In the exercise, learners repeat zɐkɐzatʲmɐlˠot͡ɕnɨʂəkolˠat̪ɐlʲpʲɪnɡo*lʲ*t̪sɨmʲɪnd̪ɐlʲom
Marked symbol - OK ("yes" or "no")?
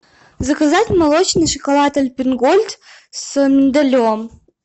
yes